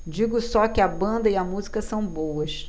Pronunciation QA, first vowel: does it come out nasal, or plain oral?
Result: oral